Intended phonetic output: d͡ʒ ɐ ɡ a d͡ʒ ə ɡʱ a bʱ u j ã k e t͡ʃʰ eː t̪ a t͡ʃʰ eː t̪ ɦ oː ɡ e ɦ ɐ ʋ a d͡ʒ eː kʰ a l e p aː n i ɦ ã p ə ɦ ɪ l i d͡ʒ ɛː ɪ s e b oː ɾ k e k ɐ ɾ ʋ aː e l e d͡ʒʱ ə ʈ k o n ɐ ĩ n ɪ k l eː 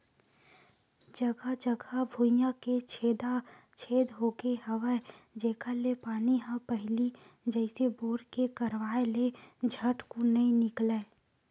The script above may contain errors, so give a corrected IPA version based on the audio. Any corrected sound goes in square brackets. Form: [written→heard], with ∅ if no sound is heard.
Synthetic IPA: d͡ʒ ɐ ɡ a d͡ʒ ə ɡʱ a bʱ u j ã k e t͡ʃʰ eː [t̪→d̪] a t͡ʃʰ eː [t̪→d̪] ɦ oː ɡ e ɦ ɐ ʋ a d͡ʒ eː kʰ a l e p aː n i ɦ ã p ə ɦ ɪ l i d͡ʒ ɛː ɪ s e b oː ɾ k e k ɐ ɾ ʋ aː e l e d͡ʒʱ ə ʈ k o n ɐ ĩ n ɪ k l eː